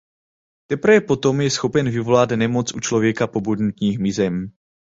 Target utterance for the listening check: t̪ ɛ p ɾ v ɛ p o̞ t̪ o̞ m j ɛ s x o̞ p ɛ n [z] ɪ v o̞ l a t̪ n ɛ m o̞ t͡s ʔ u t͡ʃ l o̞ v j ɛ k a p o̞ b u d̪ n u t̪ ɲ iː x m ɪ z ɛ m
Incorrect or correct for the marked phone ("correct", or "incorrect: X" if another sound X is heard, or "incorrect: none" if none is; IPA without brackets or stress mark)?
incorrect: v